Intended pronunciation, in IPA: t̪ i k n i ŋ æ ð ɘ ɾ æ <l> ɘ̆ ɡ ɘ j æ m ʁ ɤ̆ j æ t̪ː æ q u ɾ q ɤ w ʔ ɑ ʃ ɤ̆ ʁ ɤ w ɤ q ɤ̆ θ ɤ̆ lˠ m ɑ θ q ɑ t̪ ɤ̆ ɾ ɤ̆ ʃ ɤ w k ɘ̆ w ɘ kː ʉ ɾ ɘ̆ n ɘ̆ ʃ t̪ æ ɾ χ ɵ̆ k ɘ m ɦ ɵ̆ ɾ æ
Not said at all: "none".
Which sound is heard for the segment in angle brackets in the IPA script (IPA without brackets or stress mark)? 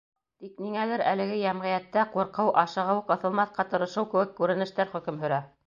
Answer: l